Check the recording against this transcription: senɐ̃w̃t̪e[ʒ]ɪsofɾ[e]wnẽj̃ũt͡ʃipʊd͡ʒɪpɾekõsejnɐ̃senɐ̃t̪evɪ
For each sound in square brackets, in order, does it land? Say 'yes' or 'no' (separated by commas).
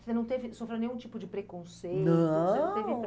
no, yes